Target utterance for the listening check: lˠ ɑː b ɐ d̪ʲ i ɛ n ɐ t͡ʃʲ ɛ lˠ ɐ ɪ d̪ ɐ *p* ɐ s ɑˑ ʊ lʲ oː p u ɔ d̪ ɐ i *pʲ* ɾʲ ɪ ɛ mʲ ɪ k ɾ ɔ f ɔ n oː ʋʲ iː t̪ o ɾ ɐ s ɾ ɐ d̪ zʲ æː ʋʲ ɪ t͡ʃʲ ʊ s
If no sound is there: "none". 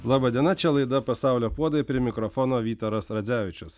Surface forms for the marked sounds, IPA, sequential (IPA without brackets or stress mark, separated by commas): p, pʲ